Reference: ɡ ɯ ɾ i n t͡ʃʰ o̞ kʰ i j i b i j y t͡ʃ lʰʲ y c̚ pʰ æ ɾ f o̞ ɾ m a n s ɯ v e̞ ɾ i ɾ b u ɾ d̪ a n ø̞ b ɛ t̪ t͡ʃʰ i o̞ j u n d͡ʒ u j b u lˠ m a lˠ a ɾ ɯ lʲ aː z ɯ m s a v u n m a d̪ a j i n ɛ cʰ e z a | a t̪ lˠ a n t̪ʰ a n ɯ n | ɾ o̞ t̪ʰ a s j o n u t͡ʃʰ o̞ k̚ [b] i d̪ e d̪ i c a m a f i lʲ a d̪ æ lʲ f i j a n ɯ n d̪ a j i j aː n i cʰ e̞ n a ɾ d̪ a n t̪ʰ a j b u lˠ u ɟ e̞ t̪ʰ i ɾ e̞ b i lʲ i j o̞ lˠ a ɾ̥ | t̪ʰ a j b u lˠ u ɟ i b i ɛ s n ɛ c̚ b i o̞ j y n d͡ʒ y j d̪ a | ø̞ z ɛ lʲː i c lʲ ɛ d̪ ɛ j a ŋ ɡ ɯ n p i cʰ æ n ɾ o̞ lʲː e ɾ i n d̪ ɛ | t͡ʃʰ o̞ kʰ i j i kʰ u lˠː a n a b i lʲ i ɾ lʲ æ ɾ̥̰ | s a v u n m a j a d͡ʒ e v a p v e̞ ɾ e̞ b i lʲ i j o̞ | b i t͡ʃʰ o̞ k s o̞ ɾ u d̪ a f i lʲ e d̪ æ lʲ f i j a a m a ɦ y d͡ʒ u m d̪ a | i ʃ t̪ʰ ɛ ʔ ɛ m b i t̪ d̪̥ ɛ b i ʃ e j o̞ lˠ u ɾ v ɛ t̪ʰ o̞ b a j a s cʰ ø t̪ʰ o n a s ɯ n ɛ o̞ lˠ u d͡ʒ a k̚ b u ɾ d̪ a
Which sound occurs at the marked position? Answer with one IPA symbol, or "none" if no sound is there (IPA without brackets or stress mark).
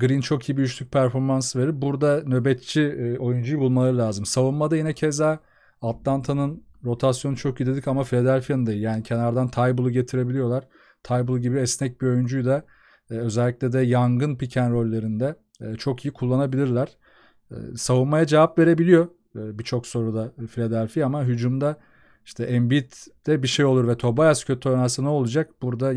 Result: ɟ